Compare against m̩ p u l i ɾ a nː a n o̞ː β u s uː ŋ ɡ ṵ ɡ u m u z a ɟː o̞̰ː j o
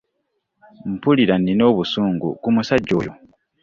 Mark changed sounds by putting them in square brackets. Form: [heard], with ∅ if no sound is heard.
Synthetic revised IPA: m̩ p u l i ɾ a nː [i] n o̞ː β u s uː ŋ ɡ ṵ [k] u m u [s] a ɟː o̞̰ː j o